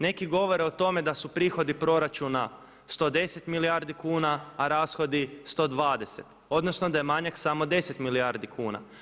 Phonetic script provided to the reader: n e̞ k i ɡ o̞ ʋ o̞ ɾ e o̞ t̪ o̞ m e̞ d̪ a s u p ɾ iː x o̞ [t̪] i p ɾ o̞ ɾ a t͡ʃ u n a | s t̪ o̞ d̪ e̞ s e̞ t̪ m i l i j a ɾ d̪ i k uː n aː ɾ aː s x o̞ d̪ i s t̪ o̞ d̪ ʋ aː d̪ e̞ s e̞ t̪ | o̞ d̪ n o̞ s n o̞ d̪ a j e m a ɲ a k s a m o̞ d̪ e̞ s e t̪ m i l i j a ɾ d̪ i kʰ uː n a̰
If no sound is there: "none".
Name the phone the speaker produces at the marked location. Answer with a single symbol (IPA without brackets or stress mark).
d̪